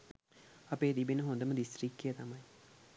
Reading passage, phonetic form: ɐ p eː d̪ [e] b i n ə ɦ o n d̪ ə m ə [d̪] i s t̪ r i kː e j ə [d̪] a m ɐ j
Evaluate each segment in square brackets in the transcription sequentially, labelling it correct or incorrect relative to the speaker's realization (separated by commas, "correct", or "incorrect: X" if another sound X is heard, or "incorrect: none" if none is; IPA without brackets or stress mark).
incorrect: i, correct, incorrect: t̪